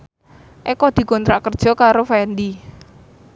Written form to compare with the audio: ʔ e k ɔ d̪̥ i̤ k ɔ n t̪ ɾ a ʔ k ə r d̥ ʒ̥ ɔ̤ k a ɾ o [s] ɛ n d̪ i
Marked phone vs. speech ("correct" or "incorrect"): incorrect